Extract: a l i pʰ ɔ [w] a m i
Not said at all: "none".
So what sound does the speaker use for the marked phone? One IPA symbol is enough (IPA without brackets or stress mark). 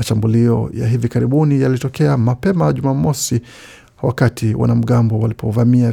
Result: v